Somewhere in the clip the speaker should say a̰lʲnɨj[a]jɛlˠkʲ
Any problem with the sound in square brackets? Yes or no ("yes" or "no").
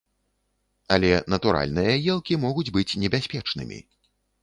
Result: yes